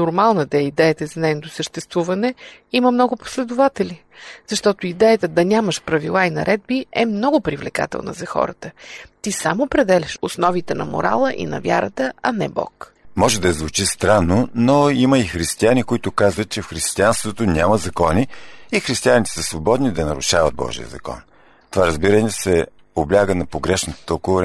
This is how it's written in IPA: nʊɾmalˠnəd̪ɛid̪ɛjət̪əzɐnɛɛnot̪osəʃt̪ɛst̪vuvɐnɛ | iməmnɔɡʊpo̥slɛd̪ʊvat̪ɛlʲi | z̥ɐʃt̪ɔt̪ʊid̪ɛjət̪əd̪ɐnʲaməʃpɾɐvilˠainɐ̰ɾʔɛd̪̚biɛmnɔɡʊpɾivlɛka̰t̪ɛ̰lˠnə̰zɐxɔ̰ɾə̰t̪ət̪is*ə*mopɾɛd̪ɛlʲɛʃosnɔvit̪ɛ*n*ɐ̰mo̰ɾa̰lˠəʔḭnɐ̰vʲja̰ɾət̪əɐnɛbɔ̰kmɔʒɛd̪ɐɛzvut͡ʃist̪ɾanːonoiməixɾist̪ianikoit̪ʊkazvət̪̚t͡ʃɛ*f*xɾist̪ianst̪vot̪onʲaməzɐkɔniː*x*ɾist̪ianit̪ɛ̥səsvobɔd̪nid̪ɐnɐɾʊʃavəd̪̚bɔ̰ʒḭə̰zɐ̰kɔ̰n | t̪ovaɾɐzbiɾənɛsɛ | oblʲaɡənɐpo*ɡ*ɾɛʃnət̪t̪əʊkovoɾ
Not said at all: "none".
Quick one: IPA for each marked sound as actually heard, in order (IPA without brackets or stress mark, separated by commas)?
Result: a, n, f, x, ɡ